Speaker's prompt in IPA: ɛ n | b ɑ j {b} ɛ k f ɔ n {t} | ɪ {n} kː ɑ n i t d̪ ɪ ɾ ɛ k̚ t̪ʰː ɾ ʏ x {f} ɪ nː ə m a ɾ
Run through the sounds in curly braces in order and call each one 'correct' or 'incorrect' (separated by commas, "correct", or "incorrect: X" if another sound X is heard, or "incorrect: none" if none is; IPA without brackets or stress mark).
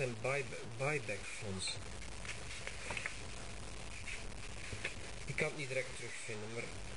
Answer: correct, incorrect: s, incorrect: none, correct